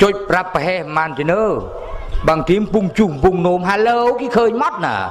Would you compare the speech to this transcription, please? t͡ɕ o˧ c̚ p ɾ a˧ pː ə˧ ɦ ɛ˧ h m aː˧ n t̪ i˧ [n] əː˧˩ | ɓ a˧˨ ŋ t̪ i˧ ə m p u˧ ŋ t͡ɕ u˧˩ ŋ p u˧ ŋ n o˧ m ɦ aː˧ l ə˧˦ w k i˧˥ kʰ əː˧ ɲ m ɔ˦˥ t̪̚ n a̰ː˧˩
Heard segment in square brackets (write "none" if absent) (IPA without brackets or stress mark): n